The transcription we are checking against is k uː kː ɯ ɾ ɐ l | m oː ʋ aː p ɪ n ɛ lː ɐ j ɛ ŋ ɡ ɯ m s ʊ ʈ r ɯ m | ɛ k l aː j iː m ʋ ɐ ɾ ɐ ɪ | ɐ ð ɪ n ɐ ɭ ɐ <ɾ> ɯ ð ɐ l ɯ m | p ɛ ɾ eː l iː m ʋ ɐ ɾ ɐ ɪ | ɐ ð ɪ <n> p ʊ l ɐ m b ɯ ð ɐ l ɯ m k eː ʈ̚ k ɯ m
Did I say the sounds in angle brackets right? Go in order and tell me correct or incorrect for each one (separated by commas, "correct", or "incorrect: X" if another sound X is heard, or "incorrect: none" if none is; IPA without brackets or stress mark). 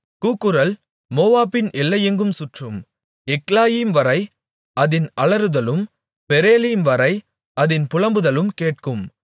correct, correct